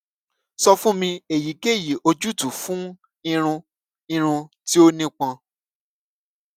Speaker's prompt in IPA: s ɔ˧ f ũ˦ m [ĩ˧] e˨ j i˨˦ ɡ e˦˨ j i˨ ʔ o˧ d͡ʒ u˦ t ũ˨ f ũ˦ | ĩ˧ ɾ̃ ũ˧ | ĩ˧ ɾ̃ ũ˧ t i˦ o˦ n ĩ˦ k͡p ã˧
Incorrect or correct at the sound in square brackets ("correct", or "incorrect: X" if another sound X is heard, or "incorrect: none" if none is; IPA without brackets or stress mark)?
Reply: correct